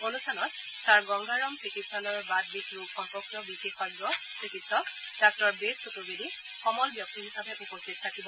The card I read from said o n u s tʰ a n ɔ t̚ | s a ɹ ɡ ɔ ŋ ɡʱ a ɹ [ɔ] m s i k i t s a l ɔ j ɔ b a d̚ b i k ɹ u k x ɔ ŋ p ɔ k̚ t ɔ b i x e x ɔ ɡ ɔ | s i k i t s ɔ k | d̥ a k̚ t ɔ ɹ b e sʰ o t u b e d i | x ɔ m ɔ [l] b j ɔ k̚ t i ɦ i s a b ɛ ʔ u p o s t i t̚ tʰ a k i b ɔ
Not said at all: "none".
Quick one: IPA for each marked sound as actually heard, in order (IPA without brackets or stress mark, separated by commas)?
ɔ, l